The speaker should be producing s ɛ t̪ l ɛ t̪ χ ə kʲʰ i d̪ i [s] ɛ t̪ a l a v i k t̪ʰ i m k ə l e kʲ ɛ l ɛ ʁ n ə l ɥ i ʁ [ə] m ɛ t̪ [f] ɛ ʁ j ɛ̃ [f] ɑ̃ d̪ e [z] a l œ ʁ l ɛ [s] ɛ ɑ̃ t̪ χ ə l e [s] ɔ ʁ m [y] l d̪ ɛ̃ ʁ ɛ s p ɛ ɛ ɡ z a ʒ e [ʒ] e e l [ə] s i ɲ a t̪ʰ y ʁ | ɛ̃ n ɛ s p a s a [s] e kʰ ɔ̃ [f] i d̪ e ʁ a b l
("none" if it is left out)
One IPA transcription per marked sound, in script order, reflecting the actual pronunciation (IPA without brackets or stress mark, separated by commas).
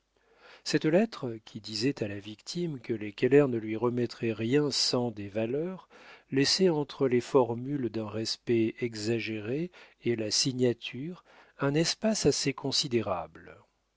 z, ə, χ, s, v, s, f, y, ʁ, a, s, s